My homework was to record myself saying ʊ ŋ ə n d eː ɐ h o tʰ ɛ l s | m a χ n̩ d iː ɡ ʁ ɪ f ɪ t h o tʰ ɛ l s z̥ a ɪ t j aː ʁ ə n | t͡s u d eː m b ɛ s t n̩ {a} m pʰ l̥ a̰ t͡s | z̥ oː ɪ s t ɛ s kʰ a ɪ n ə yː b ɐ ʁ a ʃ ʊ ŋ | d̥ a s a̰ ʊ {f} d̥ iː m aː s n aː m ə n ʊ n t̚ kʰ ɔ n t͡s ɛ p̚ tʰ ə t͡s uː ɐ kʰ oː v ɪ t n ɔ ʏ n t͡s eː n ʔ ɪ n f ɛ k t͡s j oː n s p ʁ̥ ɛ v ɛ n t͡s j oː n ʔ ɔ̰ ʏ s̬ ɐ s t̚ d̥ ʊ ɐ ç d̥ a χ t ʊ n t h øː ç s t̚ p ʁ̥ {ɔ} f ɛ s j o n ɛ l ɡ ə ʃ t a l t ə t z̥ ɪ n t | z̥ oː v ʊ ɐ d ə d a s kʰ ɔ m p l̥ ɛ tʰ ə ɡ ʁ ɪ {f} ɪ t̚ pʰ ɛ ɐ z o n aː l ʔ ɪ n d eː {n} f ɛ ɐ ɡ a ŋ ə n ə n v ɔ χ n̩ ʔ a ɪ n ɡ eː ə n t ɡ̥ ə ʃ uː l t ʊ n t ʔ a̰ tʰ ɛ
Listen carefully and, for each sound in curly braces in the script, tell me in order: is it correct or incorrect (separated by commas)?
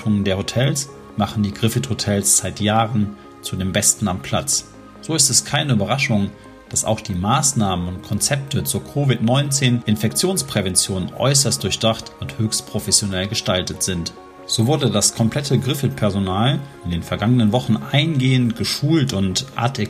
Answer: correct, incorrect, incorrect, correct, correct